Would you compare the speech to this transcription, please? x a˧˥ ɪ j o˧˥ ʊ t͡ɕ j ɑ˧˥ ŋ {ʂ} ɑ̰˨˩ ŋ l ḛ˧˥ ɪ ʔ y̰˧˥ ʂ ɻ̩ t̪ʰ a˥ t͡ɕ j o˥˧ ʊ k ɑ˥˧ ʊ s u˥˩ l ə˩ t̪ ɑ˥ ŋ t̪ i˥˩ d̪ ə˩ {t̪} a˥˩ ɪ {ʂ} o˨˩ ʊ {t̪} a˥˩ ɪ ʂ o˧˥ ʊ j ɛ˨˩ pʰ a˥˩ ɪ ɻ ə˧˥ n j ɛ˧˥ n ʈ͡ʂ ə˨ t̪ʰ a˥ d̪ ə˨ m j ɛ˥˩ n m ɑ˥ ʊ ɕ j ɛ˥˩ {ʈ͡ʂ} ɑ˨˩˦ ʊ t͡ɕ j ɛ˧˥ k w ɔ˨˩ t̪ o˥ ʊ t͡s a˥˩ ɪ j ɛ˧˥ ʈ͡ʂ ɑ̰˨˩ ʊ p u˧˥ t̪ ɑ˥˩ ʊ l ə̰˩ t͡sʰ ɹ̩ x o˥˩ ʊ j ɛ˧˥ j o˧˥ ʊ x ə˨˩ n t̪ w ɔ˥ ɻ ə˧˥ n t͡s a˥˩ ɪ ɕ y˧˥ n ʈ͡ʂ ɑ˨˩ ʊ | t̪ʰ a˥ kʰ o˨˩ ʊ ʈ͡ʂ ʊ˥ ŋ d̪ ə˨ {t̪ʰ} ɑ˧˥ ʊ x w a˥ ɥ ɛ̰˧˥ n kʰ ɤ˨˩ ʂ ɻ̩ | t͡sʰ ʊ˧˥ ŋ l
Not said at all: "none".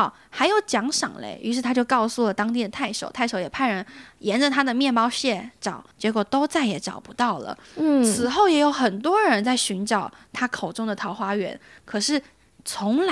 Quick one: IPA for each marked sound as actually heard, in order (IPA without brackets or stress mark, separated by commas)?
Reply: ʂ, t̪ʰ, ʂ, t̪ʰ, ʈ͡ʂ, t̪ʰ